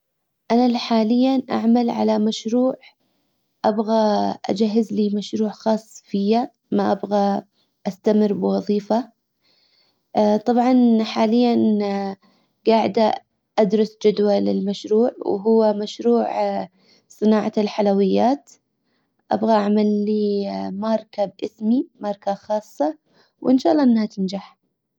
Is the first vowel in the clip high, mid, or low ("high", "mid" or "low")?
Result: low